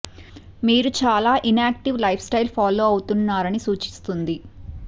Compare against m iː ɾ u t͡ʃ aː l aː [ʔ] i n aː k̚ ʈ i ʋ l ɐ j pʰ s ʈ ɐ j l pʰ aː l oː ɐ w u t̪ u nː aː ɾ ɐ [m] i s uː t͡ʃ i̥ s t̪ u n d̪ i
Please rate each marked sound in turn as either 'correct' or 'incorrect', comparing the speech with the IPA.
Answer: correct, incorrect

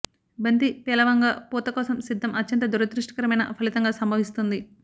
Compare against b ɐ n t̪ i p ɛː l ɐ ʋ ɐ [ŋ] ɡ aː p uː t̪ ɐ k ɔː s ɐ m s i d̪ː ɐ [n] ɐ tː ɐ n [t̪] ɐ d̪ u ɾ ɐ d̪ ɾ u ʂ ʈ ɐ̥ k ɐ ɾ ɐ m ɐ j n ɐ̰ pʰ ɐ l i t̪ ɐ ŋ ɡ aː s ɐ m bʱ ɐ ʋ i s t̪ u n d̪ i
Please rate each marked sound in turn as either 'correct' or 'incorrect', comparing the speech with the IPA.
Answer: correct, incorrect, correct

